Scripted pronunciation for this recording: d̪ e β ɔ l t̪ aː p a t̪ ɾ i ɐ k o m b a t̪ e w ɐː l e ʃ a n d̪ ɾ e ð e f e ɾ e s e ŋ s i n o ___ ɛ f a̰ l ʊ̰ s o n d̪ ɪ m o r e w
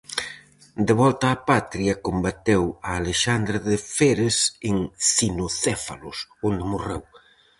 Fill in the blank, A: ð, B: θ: B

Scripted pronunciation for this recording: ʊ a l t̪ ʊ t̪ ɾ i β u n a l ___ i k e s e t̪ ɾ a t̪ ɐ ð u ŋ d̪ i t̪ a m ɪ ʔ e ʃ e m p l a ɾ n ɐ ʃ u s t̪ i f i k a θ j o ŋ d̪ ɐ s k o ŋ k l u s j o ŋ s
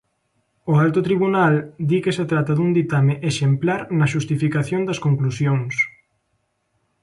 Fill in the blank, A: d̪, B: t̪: A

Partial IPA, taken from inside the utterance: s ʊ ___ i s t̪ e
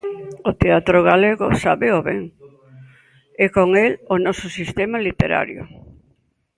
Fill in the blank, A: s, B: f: A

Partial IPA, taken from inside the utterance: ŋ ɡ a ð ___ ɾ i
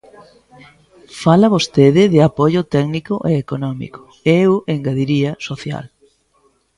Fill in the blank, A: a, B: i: B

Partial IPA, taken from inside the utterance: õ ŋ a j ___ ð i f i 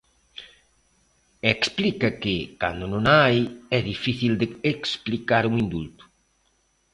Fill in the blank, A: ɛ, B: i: A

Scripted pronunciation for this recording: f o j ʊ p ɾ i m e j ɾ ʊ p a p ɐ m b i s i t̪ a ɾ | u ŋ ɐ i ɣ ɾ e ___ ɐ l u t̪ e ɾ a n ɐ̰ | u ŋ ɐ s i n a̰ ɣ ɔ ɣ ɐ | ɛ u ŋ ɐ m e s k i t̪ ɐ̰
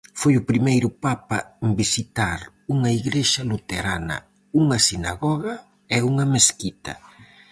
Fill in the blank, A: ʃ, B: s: A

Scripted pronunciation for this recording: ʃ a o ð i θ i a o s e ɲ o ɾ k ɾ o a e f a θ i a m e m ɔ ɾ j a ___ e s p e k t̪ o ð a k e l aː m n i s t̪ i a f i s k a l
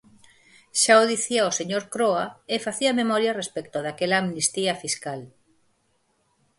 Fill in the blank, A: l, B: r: B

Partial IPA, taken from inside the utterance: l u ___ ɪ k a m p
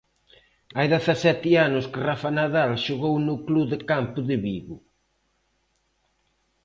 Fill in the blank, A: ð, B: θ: A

